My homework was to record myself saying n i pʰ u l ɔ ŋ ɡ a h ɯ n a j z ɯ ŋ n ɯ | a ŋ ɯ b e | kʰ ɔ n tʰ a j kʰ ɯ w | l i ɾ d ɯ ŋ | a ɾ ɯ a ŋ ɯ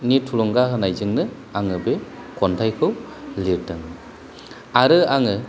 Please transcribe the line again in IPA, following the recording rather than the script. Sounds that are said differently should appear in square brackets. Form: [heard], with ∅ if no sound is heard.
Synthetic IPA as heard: n i [tʰ] u l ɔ ŋ ɡ a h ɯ n a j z ɯ ŋ n ɯ | a ŋ ɯ b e | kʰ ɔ n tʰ a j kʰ ɯ w | l i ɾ d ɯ ŋ | a ɾ ɯ a ŋ ɯ